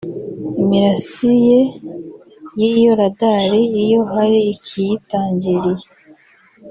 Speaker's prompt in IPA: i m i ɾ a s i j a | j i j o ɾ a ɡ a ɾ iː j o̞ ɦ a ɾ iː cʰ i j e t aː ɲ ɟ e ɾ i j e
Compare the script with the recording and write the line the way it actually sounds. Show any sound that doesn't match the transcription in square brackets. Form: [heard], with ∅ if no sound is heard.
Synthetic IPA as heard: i m i ɾ a s i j [e] | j i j o ɾ a [d] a ɾ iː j o̞ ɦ a ɾ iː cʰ i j [i] t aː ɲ ɟ [i] ɾ i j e